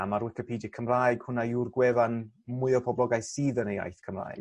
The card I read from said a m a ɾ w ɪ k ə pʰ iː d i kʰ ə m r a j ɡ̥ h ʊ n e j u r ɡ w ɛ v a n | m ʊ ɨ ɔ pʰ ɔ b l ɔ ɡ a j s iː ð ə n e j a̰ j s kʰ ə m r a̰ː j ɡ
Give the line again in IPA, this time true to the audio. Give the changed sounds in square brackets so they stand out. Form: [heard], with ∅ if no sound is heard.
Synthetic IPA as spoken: a m a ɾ w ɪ k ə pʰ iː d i kʰ ə m r a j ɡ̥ h ʊ n [a] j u r ɡ w ɛ v a n | m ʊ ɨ ɔ pʰ ɔ b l ɔ ɡ a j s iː ð ə n e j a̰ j [θ] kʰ ə m r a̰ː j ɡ